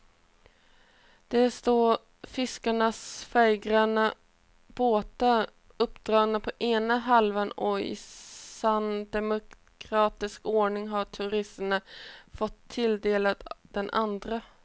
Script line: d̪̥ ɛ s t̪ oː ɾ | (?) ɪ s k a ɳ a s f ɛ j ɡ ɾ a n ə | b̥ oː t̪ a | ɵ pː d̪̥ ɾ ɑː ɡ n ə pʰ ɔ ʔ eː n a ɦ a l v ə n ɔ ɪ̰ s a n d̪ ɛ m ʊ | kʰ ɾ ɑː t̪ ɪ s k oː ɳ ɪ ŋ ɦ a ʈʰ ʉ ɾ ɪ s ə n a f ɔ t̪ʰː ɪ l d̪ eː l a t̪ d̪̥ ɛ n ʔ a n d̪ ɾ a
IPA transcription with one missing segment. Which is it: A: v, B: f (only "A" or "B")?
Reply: B